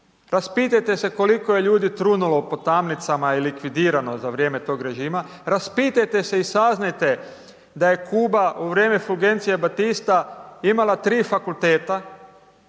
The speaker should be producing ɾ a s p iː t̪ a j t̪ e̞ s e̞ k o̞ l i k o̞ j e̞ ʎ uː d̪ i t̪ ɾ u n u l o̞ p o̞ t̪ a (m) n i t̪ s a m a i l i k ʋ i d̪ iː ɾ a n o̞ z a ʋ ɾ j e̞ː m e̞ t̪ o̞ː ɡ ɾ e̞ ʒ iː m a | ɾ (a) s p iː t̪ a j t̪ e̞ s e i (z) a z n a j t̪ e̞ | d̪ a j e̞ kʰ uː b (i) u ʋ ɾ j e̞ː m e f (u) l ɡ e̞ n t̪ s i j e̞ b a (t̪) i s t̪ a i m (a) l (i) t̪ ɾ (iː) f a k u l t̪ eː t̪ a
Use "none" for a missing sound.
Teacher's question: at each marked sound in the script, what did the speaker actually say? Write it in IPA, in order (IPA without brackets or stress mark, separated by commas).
m, a, s, a, u, t̪, a, a, iː